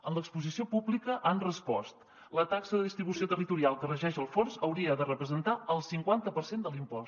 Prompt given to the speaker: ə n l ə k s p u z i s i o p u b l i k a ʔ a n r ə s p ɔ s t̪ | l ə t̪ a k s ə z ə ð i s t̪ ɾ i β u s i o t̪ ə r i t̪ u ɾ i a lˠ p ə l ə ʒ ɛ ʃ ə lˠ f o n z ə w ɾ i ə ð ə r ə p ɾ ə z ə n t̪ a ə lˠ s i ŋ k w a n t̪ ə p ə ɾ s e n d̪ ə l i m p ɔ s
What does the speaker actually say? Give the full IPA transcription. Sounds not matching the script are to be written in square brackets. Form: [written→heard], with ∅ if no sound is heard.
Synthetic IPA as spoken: ə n l ə k s p u z i s i o p u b l i k [a→ə] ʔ a n r ə s p ɔ s t̪ | l ə t̪ a k s ə [z→ð] ə ð i s t̪ ɾ i β u s i o t̪ ə r i t̪ u ɾ i a lˠ [p→k] ə [l→r] ə ʒ ɛ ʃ ə lˠ f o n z ə w ɾ i ə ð ə r ə p ɾ ə z ə n t̪ a ə lˠ s i ŋ k w a n t̪ ə p ə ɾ s e n d̪ ə l i m p ɔ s

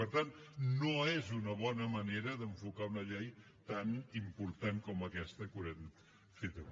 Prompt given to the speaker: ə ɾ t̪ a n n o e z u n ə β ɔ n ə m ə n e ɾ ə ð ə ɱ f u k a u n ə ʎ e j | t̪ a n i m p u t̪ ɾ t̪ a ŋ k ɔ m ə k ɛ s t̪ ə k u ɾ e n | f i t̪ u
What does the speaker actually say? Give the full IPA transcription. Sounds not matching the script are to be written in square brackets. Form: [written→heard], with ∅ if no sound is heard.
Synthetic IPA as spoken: ə ɾ t̪ a n n o e z u n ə β ɔ n ə m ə n e ɾ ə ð ə ɱ f u k a u n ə ʎ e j | t̪ a n i m p u [t̪→∅] ɾ t̪ a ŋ k ɔ m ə k ɛ s t̪ ə k u ɾ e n | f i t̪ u

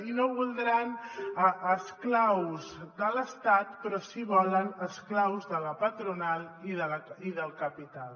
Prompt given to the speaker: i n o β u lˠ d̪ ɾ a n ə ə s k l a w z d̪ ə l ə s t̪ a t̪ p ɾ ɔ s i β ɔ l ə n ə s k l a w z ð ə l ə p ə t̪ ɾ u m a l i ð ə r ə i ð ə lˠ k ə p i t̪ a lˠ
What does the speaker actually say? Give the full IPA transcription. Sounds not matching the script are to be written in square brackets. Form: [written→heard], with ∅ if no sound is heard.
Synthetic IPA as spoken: i n o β u lˠ d̪ ɾ a n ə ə s k l a w z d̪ ə l ə s t̪ a t̪ p ɾ ɔ s i β ɔ l ə n ə s k l a w z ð ə l ə p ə t̪ ɾ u [m→n] a l i ð ə [r→l] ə i ð ə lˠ k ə p i t̪ a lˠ

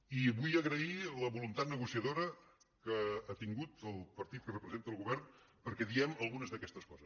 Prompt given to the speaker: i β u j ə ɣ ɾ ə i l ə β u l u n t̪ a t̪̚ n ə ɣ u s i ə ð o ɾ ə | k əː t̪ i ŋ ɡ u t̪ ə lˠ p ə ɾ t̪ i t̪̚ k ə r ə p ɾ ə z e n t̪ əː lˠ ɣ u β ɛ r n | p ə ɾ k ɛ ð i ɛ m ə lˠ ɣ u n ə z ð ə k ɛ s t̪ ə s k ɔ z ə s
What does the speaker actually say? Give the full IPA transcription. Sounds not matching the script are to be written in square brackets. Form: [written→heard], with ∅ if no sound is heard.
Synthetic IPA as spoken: i β u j ə ɣ ɾ ə i l ə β u l u n t̪ a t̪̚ n ə ɣ u s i ə ð o ɾ ə | k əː t̪ i ŋ ɡ u t̪ ə lˠ p ə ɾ t̪ i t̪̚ k ə r ə p ɾ ə z e n t̪ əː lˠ ɣ u β ɛ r n | p ə ɾ k ɛ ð i ɛ m ə lˠ ɣ u n ə z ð ə k ɛ s t̪ ə s k ɔ z ə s

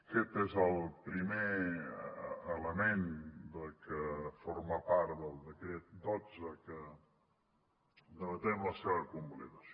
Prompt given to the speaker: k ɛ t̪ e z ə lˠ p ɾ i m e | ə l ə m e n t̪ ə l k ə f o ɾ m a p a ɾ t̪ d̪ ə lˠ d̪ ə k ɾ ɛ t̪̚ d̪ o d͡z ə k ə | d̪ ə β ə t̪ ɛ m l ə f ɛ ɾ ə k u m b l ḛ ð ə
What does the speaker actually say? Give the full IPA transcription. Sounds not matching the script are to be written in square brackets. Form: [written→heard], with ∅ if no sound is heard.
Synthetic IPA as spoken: k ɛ t̪ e z ə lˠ p ɾ i m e | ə l ə m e n [t̪→d̪] ə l k ə f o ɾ m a p a ɾ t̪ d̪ ə lˠ d̪ ə k ɾ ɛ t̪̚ d̪ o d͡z ə k ə | d̪ ə β ə t̪ ɛ m l ə [f→s] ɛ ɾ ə k u m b l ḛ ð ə

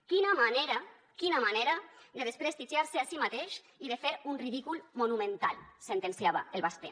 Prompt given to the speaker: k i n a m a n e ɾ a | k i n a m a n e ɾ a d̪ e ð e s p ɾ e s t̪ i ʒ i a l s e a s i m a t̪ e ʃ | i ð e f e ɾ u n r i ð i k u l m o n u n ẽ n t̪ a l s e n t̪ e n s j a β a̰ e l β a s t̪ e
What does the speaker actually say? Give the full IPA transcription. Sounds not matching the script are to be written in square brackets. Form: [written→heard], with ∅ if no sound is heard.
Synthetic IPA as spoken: k i n a m a n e ɾ a | k i n a m a n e ɾ a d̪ e ð e s p ɾ e s t̪ i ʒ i a [l→ɾ] s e a s i m a t̪ e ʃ | i ð e f e ɾ u n r i ð i k u l m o n u [n→m] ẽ n t̪ a l s e n t̪ e n s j a β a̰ e l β a s t̪ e

